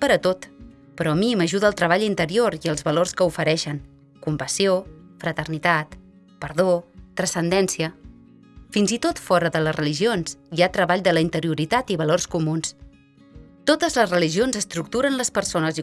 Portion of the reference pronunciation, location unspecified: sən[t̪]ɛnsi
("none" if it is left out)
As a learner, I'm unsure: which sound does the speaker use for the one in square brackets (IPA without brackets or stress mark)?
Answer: d̪